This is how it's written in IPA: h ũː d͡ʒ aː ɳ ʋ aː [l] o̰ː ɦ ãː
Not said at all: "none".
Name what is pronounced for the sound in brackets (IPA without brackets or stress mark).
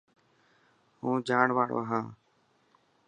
ɽ